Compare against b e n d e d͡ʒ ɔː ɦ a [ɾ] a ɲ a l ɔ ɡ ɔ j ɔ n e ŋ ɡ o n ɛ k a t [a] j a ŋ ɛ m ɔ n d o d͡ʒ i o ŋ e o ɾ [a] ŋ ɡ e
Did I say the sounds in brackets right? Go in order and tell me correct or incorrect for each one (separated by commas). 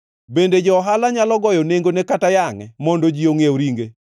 incorrect, correct, incorrect